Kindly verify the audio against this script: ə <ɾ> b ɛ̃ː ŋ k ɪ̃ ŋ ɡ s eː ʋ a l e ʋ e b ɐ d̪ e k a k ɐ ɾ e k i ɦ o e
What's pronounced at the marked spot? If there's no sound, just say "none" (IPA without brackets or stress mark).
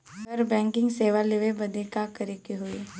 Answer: ɾ